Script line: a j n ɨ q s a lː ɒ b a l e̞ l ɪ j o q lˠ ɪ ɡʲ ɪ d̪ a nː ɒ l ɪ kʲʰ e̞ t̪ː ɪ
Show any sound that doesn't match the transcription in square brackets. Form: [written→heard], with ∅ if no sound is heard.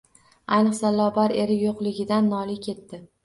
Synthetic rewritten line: a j n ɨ q s a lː ɒ b a [l→ɾ] e̞ [l→ɾ] ɪ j o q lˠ ɪ ɡʲ ɪ d̪ a nː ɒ l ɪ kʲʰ e̞ t̪ː ɪ